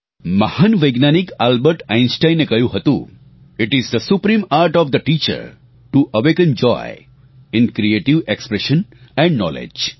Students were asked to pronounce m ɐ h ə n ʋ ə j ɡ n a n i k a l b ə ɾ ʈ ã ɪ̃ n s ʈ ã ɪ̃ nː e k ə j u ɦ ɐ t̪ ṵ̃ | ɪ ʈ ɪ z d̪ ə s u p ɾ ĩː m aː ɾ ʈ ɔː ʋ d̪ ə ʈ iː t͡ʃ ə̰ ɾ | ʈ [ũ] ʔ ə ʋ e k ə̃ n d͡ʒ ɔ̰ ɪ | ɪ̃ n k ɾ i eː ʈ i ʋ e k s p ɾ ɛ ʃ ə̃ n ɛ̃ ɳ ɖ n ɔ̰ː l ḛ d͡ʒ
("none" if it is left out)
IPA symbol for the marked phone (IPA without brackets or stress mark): u